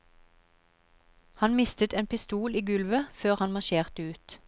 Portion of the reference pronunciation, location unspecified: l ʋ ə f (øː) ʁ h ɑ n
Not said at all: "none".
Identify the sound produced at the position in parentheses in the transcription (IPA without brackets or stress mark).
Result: øː